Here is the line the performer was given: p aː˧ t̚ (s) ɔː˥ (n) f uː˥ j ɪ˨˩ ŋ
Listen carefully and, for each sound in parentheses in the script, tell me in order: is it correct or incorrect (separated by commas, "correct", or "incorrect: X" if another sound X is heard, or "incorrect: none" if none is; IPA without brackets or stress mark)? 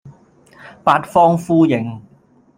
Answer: incorrect: f, incorrect: ŋ